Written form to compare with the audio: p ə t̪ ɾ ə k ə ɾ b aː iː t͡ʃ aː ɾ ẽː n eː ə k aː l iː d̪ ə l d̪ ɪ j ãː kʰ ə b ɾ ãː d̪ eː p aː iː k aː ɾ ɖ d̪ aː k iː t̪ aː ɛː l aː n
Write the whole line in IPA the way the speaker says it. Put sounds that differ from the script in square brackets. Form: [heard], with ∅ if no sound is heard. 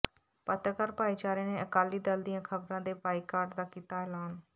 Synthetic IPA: p ə t̪ ɾ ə k ə ɾ [p] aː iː t͡ʃ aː ɾ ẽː n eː ə k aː l iː d̪ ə l d̪ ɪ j ãː kʰ ə b ɾ ãː d̪ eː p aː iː k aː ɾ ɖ d̪ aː k iː t̪ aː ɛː l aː n

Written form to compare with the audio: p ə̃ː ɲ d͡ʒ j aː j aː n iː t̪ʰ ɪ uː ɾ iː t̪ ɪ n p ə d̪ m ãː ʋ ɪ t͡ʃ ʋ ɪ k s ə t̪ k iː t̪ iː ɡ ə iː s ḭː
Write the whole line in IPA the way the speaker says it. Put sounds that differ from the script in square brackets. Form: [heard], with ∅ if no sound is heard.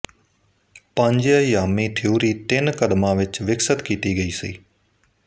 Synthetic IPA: p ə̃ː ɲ d͡ʒ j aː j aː [m] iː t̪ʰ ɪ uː ɾ iː t̪ ɪ n [k] ə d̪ m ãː ʋ ɪ t͡ʃ ʋ ɪ k s ə t̪ k iː t̪ iː ɡ ə iː s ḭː

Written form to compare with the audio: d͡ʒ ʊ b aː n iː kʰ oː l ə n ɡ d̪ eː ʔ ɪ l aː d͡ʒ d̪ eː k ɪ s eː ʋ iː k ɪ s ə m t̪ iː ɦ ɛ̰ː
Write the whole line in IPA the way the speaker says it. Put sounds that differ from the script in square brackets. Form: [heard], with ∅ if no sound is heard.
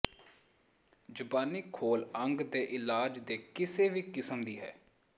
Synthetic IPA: d͡ʒ ʊ b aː n iː kʰ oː l ə [ŋ] ɡ d̪ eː ʔ ɪ l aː d͡ʒ d̪ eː k ɪ s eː ʋ iː k ɪ s ə m [d̪] iː ɦ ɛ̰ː

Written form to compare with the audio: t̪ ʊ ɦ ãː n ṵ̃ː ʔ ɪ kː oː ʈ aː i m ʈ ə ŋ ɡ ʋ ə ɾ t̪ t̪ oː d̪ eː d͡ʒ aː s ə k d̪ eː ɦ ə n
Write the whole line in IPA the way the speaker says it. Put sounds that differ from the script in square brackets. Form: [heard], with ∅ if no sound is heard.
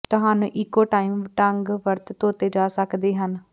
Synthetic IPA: t̪ ʊ ɦ [aː] n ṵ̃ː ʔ ɪ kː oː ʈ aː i m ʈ ə ŋ ɡ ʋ ə ɾ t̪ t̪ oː [t̪] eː d͡ʒ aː s ə k d̪ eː ɦ ə n

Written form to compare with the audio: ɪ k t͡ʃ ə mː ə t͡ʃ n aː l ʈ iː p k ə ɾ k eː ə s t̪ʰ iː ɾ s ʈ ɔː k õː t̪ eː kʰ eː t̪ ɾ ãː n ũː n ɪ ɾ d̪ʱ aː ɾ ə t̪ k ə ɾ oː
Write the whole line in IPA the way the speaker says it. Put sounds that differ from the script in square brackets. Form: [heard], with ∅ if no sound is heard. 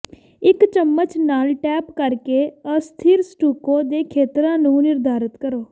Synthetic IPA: ɪ k t͡ʃ ə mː ə t͡ʃ n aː l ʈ [ɛː] p k ə ɾ k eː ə s t̪ʰ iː ɾ s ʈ [uː] k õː [d̪] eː kʰ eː t̪ ɾ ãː n ũː n ɪ ɾ d̪ʱ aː ɾ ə t̪ k ə ɾ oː

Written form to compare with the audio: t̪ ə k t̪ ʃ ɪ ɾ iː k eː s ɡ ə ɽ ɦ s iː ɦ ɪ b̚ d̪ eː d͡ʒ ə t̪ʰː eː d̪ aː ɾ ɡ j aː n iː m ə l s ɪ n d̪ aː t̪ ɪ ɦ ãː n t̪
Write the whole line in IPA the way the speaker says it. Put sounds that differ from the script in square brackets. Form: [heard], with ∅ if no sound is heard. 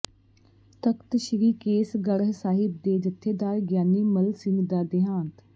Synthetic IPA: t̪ ə k t̪ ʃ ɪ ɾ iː k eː s ɡ ə ɽ ɦ s [aː] ɦ ɪ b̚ d̪ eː d͡ʒ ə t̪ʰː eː d̪ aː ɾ ɡ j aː n iː m ə l s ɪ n d̪ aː [d̪] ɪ ɦ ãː n t̪

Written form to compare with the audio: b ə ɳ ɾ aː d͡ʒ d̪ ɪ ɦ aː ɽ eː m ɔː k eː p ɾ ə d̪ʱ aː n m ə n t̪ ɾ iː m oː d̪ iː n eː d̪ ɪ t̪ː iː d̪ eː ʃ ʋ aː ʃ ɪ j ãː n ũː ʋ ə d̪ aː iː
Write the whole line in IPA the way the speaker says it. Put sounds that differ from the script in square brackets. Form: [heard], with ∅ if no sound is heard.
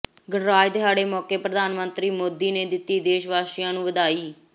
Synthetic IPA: [ɡ] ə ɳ ɾ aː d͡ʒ d̪ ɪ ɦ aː ɽ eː m ɔː k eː p ɾ ə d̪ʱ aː n m ə n t̪ ɾ iː m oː d̪ iː n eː d̪ ɪ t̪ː iː d̪ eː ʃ ʋ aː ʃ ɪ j ãː n ũː ʋ ə d̪ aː iː

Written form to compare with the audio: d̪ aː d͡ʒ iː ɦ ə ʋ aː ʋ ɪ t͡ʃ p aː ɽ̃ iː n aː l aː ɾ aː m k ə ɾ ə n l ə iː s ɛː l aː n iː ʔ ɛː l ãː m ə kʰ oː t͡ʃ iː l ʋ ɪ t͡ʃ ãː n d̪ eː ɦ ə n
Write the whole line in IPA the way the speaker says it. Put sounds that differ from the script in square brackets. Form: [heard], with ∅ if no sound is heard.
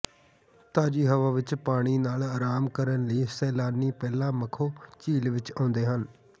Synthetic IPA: [t̪] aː d͡ʒ iː ɦ ə ʋ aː ʋ ɪ t͡ʃ p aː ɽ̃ iː n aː l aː ɾ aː m k ə ɾ ə n l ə iː s ɛː l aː n iː [p] ɛː l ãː m ə kʰ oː t͡ʃ iː l ʋ ɪ t͡ʃ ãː n d̪ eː ɦ ə n

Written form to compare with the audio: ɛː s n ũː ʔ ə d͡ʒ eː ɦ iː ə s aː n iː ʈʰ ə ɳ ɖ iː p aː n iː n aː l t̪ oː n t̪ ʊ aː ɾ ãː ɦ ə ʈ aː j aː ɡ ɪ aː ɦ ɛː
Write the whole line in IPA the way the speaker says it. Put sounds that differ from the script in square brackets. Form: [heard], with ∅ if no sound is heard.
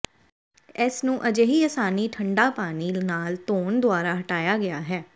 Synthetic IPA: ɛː s n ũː ʔ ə d͡ʒ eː ɦ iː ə s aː n iː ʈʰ ə ɳ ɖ [aː] p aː n iː n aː l t̪ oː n [d̪] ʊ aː ɾ [aː] ɦ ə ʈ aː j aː ɡ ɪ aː ɦ ɛː

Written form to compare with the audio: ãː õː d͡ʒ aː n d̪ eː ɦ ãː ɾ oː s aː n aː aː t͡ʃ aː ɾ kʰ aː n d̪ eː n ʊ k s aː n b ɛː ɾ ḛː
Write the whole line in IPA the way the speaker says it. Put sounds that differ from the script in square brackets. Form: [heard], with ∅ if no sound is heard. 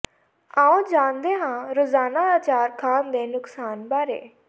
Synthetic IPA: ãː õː d͡ʒ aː n d̪ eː ɦ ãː ɾ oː [z] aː n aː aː t͡ʃ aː ɾ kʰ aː n d̪ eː n ʊ k s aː n b [aː] ɾ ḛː

